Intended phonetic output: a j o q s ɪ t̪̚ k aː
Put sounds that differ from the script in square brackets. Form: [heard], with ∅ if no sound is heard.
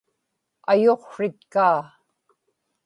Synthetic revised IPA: a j o q [ʂ] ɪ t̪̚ k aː